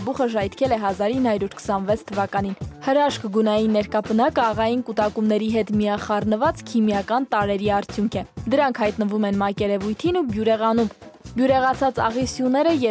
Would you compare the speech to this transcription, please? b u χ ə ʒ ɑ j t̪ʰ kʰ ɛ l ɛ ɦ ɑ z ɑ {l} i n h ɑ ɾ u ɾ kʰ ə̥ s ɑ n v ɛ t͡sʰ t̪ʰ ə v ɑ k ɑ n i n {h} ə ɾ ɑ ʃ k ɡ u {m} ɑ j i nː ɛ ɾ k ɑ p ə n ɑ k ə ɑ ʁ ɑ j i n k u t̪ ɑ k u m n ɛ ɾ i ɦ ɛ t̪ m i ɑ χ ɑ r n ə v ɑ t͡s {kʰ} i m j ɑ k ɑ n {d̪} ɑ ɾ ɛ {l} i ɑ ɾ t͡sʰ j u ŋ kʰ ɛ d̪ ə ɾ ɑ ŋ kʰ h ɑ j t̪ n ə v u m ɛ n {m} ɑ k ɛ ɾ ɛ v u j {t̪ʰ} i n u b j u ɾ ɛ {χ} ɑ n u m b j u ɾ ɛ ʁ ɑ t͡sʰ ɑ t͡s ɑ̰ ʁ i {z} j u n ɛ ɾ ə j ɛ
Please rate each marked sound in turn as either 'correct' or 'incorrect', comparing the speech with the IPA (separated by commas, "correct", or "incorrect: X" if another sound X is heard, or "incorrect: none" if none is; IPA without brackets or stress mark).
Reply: incorrect: ɾ, correct, incorrect: n, correct, incorrect: t̪, incorrect: ɾ, correct, correct, incorrect: ʁ, incorrect: s